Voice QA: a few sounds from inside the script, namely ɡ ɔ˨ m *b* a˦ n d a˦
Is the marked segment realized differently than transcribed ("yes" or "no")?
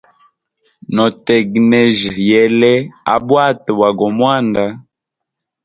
yes